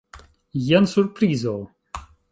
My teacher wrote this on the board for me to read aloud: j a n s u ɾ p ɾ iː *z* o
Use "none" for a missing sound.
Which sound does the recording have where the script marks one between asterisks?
z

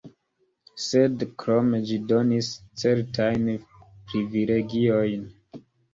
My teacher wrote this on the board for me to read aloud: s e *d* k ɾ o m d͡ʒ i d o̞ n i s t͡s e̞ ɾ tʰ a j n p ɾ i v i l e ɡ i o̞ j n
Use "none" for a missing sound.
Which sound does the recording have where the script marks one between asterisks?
d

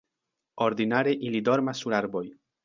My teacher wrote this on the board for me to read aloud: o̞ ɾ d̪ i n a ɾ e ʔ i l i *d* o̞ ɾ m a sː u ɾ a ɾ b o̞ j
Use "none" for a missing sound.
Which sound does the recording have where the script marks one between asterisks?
d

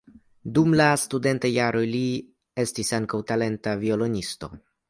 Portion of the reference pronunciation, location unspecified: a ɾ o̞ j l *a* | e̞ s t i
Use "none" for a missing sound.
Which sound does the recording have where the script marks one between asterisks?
i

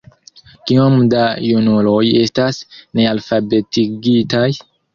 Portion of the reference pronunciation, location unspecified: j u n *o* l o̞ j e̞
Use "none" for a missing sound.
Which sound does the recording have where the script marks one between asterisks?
u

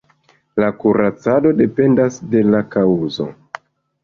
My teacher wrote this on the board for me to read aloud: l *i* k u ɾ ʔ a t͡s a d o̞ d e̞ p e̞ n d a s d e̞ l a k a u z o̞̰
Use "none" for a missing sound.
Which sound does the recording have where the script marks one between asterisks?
a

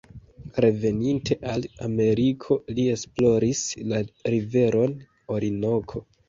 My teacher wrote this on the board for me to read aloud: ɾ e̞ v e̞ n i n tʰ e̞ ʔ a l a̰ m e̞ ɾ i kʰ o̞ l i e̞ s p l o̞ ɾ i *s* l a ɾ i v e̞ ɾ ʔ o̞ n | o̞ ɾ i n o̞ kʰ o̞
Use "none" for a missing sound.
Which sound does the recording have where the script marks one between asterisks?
s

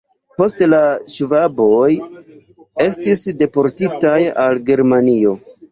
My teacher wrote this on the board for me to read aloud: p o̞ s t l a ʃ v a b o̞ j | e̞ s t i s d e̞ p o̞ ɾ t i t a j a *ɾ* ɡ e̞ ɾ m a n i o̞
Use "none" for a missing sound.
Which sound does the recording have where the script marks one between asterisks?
l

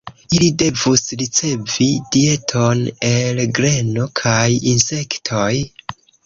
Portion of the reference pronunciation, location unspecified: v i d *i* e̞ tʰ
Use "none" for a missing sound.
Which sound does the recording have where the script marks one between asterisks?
i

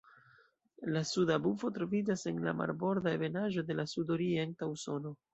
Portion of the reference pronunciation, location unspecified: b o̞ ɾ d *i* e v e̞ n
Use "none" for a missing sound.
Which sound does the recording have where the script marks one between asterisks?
a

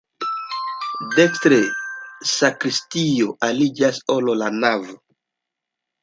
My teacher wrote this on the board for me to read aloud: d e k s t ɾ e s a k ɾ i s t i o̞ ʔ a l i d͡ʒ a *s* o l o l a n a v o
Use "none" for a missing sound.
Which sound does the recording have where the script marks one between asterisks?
s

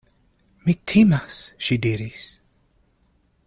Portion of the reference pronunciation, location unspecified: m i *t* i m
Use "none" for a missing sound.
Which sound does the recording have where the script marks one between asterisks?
tʰ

